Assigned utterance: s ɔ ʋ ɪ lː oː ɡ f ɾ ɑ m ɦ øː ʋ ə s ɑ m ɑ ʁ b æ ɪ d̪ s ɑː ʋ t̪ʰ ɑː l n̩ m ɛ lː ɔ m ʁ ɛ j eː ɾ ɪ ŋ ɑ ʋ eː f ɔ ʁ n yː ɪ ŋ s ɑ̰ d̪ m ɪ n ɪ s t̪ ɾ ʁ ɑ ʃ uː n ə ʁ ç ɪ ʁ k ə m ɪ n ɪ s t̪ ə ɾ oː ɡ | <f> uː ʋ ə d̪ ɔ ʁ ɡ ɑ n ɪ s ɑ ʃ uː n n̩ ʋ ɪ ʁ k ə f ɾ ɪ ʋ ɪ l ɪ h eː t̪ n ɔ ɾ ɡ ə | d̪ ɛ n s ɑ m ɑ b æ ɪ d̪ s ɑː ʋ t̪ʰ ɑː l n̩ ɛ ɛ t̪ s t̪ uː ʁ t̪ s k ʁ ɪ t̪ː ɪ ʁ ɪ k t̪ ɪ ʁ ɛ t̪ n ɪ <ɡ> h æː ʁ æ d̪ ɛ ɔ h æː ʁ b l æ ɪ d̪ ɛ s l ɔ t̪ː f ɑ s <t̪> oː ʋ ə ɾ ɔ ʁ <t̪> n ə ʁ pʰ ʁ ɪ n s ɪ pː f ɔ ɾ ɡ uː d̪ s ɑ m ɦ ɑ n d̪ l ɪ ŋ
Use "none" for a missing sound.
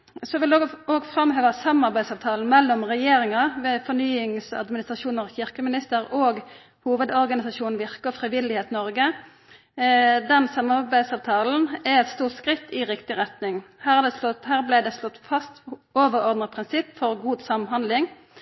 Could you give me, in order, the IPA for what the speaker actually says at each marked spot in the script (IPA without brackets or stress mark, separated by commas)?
h, ŋ, t̪, d̪